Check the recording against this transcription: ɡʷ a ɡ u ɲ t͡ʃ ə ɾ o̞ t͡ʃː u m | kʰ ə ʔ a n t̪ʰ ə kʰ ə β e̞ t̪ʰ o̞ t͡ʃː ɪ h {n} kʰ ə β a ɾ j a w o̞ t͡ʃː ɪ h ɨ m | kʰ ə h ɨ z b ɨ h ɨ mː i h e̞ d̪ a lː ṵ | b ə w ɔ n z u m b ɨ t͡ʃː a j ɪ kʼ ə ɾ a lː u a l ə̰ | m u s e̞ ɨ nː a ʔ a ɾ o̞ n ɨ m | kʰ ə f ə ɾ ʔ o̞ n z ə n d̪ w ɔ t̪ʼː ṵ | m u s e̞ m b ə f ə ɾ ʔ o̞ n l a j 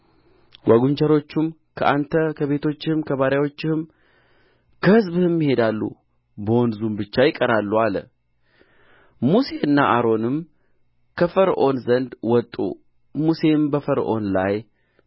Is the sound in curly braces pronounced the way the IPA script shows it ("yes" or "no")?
no